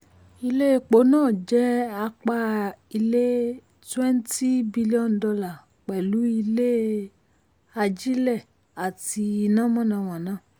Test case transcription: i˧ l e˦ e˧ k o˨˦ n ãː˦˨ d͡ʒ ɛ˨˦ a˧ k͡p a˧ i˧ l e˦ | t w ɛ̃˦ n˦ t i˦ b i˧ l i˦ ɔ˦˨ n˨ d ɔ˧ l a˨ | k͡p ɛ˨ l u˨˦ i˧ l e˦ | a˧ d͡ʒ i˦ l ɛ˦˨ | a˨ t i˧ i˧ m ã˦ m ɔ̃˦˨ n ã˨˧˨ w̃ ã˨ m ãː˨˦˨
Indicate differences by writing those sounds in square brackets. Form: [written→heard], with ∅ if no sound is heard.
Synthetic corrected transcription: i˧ l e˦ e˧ [k→k͡p] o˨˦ n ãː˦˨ d͡ʒ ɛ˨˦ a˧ k͡p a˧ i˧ l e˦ | t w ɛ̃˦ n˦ t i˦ b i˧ l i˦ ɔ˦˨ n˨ d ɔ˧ l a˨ | k͡p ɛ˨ l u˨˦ i˧ l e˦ | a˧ d͡ʒ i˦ l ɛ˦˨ | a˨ t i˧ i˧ [m→n] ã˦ m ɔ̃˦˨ n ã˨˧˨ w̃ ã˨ [m→n] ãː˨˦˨